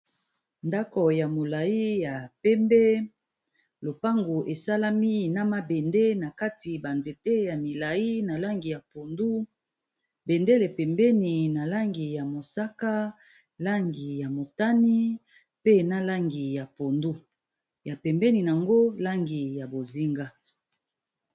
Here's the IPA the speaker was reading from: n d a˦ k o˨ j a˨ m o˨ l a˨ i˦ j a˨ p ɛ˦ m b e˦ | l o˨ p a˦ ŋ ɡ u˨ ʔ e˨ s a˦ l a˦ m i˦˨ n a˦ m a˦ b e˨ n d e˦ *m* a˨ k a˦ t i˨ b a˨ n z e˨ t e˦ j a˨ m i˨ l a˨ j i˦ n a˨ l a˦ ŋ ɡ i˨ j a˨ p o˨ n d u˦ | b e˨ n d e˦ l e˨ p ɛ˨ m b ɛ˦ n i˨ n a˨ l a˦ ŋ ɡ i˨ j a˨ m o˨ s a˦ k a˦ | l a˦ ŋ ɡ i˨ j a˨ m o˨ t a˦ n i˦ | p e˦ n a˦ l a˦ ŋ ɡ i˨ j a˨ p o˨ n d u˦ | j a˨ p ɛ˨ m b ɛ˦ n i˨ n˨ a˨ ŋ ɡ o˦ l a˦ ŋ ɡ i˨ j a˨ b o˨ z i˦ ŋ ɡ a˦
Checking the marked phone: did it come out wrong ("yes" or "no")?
yes